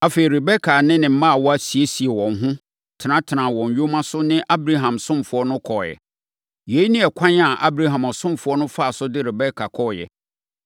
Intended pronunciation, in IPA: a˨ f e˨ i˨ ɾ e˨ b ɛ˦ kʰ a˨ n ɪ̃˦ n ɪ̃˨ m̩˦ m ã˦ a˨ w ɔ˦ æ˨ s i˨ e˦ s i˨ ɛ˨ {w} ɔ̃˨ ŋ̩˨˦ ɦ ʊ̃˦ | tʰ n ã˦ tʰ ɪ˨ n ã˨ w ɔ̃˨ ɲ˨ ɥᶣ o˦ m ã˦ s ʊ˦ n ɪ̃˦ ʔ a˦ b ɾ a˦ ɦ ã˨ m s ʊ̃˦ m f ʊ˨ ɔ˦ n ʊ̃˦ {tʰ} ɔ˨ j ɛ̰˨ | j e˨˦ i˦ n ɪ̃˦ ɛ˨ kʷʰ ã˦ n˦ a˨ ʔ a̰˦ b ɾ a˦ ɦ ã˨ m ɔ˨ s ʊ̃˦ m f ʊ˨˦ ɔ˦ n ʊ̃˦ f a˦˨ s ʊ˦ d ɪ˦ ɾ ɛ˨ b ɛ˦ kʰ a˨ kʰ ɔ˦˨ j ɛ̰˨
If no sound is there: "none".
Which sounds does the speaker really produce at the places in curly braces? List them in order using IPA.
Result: w, kʰ

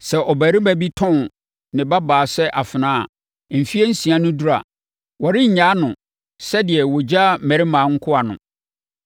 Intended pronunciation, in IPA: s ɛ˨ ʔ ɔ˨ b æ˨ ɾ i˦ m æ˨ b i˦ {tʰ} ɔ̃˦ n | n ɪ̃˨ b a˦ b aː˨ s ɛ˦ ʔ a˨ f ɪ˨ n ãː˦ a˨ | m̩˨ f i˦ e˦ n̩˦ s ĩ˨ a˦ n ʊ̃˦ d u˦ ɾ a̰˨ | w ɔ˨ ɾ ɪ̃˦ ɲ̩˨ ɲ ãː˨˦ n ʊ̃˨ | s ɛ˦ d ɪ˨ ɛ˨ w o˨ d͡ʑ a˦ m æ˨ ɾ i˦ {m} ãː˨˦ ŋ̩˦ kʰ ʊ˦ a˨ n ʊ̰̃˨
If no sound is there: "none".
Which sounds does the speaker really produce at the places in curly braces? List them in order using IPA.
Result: tʰ, m

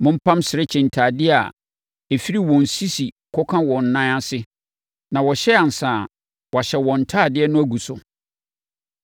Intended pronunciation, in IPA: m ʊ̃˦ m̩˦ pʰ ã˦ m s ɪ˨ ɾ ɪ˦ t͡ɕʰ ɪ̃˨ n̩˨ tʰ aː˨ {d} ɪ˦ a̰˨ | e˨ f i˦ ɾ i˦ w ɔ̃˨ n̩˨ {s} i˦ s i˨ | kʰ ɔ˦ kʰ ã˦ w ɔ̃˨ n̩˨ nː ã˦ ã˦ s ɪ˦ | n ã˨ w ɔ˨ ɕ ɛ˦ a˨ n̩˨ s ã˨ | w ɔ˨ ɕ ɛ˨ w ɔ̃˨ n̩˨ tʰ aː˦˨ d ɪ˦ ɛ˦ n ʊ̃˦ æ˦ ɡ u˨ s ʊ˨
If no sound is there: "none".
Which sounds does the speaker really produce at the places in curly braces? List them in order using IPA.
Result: d, s

